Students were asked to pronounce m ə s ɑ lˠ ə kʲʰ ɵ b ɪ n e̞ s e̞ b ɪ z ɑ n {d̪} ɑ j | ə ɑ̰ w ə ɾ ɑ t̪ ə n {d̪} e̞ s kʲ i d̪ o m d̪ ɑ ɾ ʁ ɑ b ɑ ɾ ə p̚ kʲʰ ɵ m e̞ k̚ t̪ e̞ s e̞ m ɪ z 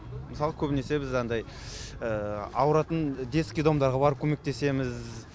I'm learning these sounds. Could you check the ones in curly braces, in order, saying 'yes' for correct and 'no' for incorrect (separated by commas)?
yes, yes